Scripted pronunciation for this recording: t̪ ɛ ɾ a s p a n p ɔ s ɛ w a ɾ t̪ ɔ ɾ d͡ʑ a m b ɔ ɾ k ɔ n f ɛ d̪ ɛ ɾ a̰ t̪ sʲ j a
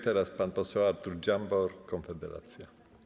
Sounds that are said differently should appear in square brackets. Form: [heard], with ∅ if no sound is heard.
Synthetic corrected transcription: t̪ ɛ ɾ a s p a n p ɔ s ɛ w a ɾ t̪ [u] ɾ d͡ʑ a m b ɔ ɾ k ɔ n f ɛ d̪ ɛ ɾ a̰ t̪ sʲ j a